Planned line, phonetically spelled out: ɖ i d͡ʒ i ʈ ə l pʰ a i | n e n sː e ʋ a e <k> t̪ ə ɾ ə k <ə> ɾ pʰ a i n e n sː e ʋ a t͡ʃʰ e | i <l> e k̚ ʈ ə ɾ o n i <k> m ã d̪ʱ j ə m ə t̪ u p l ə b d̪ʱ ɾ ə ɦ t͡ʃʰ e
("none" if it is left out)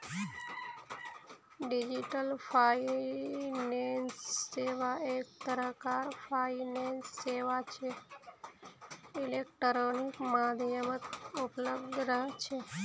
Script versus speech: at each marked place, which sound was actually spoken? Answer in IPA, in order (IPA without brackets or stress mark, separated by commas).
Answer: k, a, l, k